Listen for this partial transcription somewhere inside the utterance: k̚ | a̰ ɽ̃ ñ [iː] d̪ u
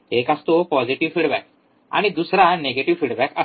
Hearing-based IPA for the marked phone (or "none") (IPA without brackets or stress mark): i